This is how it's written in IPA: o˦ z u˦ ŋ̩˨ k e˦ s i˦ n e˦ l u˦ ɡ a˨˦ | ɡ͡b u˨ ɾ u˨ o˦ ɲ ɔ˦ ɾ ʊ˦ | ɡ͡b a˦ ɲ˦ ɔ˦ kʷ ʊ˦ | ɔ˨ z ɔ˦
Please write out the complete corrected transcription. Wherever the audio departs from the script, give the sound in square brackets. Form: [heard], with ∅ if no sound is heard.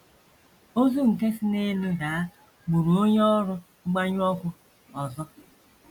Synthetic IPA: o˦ z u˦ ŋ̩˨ k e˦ s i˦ n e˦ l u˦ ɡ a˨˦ | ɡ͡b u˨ ɾ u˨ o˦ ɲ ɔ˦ ɾ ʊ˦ | ɡ͡b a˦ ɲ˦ ɔ˦ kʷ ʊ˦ | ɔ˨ z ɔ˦